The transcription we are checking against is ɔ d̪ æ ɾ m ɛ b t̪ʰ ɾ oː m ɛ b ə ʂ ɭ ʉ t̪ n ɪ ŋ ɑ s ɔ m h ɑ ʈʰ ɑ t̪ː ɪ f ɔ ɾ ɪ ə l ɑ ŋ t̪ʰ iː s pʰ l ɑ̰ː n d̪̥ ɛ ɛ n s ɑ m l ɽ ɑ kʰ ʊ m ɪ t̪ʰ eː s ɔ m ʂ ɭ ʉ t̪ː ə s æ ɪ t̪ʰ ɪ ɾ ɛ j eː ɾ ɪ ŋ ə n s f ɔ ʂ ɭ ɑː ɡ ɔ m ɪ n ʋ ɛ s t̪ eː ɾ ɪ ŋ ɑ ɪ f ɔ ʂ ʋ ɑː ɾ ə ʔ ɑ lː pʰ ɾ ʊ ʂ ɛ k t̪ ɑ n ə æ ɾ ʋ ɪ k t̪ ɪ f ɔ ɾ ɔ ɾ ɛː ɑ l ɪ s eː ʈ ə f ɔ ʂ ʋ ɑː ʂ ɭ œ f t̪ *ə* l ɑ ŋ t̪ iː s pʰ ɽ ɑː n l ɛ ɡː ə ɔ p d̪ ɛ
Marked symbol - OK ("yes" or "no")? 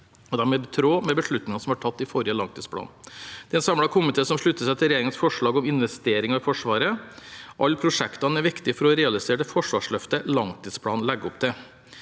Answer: yes